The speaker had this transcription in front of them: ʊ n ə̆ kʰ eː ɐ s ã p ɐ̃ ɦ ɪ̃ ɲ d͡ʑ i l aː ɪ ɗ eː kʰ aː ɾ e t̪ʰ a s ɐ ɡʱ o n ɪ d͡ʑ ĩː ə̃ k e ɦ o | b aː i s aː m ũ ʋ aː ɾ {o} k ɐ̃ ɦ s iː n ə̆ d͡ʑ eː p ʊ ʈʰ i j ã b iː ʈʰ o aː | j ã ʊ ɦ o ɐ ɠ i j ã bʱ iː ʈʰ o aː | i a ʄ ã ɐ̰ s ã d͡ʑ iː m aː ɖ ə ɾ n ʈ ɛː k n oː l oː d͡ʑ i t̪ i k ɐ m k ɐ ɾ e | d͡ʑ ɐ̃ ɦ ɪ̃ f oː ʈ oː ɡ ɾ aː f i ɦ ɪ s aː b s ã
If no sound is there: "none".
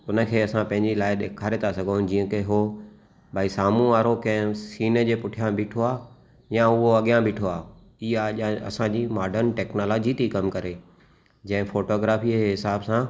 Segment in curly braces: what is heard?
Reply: o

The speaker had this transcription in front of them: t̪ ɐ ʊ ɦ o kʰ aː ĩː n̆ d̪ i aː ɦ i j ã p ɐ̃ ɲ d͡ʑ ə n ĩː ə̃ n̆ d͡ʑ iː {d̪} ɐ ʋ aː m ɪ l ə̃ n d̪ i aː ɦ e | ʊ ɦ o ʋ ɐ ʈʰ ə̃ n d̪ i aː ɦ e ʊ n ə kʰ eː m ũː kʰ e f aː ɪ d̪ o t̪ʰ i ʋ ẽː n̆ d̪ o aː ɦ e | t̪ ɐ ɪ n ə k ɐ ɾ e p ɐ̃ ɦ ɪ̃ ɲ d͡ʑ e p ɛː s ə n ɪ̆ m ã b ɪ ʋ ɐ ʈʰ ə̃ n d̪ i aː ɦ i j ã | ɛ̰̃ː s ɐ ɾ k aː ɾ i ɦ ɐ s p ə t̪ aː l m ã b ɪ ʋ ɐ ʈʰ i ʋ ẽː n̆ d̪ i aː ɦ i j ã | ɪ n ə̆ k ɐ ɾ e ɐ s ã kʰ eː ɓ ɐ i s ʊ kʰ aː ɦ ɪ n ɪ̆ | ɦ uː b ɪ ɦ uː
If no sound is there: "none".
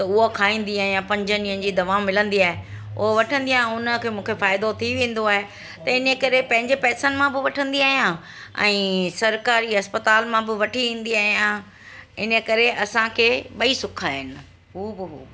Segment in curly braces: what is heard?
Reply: d̪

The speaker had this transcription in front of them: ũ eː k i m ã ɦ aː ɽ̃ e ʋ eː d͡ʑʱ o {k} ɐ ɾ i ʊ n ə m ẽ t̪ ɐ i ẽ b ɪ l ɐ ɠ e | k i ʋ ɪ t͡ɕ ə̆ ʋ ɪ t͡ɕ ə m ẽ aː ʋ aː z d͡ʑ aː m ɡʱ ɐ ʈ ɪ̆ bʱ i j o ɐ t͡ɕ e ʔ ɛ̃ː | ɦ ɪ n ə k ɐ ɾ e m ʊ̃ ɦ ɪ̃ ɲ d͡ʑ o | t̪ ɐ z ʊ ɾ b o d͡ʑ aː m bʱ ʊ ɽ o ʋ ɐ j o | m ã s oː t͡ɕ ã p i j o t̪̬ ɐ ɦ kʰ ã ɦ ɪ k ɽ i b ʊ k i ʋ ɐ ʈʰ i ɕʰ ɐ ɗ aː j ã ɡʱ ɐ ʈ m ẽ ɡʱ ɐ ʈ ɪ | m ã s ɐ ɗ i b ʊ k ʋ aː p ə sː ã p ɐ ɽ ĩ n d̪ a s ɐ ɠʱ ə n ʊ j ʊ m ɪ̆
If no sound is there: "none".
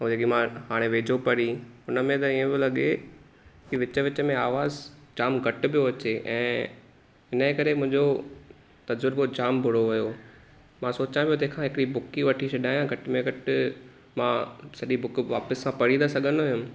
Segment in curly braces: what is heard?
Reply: p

